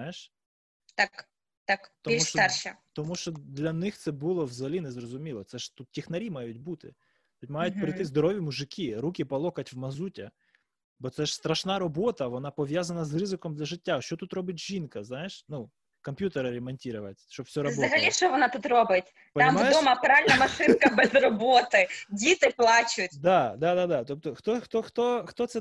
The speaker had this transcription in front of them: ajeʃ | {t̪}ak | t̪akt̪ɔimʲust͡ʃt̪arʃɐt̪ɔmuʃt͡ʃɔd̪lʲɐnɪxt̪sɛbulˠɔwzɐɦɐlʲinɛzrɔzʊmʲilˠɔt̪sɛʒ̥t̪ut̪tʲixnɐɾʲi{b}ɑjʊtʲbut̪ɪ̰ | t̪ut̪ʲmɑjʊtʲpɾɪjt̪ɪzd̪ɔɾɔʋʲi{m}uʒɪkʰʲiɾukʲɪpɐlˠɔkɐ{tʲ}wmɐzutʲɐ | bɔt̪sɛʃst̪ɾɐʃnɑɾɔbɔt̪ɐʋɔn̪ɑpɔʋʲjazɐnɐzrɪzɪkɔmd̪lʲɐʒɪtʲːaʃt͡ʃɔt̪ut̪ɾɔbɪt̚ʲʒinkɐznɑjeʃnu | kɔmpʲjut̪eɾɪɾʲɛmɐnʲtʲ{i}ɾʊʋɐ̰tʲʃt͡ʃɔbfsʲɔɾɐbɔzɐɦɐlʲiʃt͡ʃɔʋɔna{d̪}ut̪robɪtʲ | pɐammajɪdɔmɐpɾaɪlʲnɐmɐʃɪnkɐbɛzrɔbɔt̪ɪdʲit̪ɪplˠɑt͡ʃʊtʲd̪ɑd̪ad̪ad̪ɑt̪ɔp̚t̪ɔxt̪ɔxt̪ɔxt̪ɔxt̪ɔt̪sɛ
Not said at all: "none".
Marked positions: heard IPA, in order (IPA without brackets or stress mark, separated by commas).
t̪, m, m, tʲ, i, t̪